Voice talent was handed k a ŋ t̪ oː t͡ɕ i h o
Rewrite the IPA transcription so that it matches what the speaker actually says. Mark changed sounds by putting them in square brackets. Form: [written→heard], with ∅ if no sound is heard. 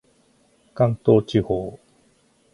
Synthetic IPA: k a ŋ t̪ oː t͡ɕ i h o